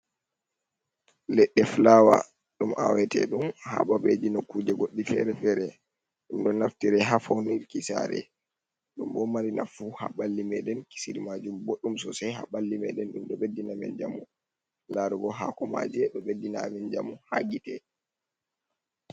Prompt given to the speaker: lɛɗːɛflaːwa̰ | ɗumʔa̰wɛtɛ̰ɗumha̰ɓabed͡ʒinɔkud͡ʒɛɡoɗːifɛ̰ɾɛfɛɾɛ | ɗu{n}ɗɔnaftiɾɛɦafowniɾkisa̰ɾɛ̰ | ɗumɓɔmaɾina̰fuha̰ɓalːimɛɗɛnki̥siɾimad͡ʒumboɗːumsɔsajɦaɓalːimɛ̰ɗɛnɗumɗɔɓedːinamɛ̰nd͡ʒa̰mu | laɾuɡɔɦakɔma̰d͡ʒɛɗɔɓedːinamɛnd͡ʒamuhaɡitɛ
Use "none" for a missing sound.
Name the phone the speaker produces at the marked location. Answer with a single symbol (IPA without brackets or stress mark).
m